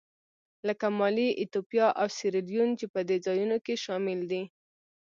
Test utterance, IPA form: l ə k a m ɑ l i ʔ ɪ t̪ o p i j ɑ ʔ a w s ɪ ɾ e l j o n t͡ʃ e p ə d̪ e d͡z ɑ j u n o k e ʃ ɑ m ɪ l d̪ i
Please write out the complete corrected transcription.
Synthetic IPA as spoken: l ə k a m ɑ l i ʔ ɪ t̪ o p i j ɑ ʔ a w s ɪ ɾ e l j u n t͡ʃ e p ə d̪ e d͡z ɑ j u n o k e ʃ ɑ m ɪ l d̪ i